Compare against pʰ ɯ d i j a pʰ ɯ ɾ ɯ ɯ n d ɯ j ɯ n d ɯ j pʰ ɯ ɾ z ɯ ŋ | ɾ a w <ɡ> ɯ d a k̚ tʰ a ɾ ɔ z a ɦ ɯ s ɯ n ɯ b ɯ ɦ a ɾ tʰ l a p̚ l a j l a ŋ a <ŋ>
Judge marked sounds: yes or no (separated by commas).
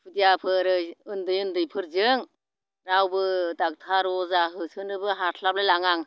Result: no, yes